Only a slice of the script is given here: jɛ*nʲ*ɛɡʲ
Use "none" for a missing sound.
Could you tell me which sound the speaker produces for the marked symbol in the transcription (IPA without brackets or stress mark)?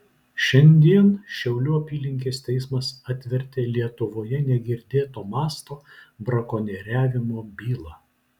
nʲ